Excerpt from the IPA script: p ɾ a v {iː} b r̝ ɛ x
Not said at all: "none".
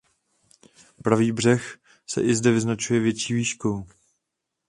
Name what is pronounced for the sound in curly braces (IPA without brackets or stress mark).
iː